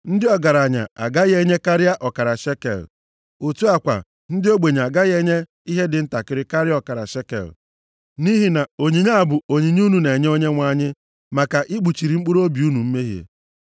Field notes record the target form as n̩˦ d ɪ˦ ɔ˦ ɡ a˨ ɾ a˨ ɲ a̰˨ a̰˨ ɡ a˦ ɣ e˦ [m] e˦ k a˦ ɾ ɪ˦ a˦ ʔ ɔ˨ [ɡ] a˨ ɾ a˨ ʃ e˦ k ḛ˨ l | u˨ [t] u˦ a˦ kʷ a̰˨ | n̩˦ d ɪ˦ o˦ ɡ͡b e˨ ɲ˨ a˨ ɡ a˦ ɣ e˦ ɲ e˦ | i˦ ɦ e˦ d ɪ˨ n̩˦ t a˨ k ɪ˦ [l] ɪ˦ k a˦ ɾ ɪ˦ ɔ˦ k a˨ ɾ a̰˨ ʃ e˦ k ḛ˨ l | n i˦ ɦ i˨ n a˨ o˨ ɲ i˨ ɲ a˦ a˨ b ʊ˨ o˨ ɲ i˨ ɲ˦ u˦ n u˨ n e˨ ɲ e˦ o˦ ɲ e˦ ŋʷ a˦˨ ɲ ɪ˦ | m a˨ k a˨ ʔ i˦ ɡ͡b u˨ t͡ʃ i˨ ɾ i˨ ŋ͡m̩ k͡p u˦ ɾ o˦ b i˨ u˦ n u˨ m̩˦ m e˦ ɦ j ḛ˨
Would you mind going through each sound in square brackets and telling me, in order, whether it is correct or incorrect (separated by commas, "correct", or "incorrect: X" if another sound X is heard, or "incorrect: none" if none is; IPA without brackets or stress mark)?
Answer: incorrect: ɲ, incorrect: k, correct, incorrect: ɾ